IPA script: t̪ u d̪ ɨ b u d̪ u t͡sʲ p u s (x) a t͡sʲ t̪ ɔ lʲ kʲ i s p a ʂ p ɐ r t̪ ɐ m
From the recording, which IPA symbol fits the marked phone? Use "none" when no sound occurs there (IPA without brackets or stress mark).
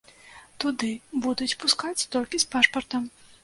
k